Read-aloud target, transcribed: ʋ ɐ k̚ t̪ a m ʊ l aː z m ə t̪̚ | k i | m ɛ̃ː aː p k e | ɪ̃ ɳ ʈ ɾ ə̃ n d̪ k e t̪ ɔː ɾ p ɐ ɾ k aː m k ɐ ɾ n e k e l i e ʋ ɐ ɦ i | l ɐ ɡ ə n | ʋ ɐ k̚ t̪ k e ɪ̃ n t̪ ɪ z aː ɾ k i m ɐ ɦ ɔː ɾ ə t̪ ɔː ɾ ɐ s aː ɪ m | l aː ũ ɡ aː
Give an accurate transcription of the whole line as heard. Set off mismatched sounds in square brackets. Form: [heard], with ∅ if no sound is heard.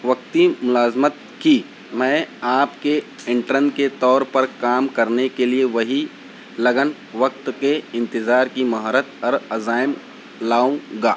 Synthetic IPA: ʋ ɐ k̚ t̪ [i] m ʊ l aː z m ə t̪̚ | k i | m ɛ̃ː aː p k e | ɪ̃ ɳ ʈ ɾ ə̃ n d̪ k e t̪ ɔː ɾ p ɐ ɾ k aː m k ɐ ɾ n e k e l i e ʋ ɐ ɦ i | l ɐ ɡ ə n | ʋ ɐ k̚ t̪ k e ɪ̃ n t̪ ɪ z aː ɾ k i m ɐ ɦ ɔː ɾ ə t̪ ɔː ɾ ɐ [z] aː ɪ m | l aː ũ ɡ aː